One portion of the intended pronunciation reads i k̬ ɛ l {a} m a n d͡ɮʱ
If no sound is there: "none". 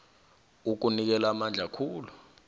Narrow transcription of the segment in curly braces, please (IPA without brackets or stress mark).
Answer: a